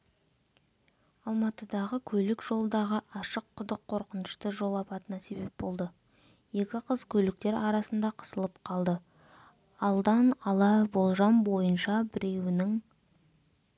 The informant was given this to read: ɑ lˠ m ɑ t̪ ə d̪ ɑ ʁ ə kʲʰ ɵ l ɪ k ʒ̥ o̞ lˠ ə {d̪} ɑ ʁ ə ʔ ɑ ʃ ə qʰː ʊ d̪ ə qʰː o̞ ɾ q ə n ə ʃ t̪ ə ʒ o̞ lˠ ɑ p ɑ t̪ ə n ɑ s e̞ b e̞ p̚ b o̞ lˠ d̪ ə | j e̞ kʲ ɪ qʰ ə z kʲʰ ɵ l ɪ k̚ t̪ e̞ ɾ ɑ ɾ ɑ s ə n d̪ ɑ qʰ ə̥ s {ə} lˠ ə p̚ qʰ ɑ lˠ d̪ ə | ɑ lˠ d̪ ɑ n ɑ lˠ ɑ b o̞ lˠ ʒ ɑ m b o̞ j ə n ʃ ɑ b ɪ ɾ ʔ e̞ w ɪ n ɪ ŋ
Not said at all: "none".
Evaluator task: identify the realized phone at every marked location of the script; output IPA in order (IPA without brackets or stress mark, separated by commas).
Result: d̪, ə